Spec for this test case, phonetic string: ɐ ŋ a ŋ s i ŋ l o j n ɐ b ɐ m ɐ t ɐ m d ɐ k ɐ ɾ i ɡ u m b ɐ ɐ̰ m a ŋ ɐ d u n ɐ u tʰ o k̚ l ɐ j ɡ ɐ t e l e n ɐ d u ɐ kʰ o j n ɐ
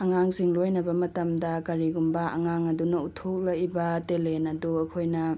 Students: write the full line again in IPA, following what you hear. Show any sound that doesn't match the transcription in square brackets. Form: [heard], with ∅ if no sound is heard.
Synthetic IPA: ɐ ŋ a ŋ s i ŋ l o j n ɐ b ɐ m ɐ t ɐ m d ɐ k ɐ ɾ i ɡ u m b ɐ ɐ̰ [ŋ] a ŋ ɐ d u n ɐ u tʰ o k̚ l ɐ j [b] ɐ t e l e n ɐ d u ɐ kʰ o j n ɐ